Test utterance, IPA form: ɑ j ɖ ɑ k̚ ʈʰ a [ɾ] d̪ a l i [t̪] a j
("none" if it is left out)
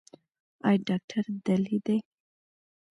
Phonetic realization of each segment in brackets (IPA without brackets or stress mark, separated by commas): ɾ, d̪